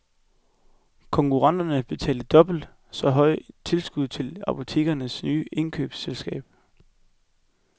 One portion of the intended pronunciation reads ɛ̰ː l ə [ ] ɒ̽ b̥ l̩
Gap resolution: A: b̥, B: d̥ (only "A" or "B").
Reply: B